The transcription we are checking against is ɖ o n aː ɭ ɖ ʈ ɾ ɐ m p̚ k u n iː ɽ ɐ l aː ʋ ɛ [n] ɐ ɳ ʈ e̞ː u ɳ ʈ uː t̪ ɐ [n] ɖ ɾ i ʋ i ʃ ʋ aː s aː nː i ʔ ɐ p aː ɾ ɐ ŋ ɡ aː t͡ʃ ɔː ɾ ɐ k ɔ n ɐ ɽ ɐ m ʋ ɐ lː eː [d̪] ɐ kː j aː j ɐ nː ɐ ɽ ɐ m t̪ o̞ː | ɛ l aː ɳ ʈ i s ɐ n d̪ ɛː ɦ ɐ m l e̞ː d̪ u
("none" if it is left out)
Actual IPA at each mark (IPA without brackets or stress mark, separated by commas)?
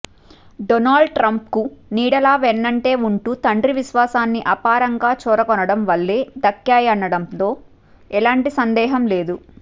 nː, ɳ, d̪